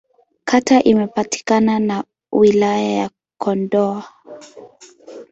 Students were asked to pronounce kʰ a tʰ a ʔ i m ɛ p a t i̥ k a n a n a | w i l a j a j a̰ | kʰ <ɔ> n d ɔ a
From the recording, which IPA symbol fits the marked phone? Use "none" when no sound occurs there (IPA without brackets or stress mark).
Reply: ɔ